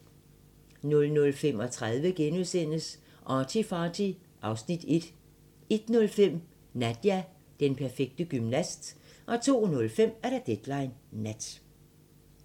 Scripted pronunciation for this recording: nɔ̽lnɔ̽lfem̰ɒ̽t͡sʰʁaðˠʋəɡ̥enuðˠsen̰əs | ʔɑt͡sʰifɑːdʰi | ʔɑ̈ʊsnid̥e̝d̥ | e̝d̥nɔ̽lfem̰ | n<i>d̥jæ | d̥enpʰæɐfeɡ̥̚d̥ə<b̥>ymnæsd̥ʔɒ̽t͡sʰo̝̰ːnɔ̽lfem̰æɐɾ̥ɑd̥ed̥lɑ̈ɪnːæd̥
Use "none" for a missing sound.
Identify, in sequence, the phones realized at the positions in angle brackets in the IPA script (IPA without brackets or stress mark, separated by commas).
æ, ɡ̥